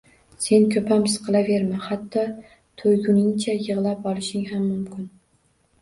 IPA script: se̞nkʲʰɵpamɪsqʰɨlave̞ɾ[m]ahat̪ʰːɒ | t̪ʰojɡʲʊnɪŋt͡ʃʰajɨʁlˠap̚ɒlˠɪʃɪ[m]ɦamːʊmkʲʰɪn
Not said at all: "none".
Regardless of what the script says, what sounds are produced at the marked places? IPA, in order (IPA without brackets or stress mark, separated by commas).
m, ŋ